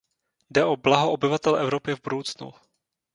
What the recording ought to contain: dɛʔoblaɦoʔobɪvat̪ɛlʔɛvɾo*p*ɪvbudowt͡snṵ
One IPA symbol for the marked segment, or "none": p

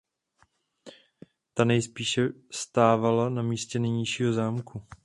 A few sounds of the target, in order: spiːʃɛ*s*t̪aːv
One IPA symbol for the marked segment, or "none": s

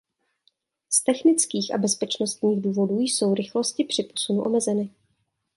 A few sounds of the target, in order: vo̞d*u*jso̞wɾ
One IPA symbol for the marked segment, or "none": uː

